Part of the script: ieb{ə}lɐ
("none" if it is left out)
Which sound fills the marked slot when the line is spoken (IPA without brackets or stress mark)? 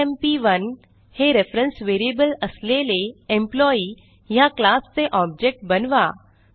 ə